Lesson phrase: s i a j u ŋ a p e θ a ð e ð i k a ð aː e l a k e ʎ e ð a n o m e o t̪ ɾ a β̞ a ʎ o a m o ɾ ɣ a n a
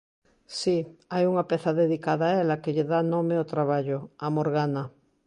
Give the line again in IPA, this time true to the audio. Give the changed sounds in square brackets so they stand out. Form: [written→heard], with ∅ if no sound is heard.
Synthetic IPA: s i a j u ŋ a p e θ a ð e ð i k a ð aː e l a k e ʎ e ð a n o m e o t̪ ɾ a β̞ a ʎ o a m o ɾ ɣ a n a